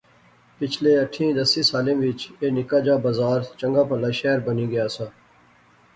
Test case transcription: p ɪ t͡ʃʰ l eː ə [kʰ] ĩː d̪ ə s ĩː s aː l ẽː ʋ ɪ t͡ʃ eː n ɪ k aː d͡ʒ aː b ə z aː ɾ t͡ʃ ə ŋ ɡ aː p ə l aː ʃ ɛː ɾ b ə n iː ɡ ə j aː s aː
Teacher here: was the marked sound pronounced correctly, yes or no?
no